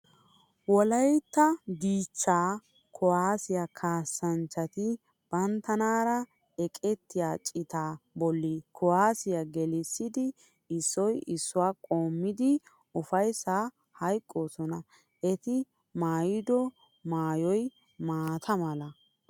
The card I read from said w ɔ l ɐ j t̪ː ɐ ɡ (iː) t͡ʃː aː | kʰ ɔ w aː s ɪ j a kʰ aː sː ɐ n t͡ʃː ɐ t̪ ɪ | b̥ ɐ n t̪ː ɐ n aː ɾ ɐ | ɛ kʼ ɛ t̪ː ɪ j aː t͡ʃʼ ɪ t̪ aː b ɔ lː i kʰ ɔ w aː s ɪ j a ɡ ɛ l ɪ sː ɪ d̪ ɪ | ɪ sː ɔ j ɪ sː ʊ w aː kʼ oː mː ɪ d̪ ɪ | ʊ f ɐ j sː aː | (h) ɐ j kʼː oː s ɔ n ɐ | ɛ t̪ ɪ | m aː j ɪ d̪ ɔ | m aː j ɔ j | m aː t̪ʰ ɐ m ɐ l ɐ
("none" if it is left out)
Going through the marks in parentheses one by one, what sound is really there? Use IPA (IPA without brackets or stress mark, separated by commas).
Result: iː, h